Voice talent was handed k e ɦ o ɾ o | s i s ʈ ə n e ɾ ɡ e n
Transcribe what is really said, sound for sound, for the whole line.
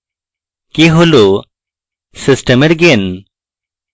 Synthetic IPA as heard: k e ɦ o l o | s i s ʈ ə m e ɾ ɡ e n